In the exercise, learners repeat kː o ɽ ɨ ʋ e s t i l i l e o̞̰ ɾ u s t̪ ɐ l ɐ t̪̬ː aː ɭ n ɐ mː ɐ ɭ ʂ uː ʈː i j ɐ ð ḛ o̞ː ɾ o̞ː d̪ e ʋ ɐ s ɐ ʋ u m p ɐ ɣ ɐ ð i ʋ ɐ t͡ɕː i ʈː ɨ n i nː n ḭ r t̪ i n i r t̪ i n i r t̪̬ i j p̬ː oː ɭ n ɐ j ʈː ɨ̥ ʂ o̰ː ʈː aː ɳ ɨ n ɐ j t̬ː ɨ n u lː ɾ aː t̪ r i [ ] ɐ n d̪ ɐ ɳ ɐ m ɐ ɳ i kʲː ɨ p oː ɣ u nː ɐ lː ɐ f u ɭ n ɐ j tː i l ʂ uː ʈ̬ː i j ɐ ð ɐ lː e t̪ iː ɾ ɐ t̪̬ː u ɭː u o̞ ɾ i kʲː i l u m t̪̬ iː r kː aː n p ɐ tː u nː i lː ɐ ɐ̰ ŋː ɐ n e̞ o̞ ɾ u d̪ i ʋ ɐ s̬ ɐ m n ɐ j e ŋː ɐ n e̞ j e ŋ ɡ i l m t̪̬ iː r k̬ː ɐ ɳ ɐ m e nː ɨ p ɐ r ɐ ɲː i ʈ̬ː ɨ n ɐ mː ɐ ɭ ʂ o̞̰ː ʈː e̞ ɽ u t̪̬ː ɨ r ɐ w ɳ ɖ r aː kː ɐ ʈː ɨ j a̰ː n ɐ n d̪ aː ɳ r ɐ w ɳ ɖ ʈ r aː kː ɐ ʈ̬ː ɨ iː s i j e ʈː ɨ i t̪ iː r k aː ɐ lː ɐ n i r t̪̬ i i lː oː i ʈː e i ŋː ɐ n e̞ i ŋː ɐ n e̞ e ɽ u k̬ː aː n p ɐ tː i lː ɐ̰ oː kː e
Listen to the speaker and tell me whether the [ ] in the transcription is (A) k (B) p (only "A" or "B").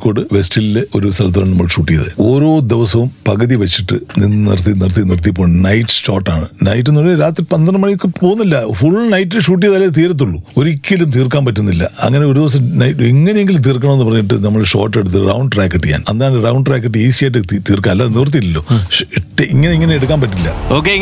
B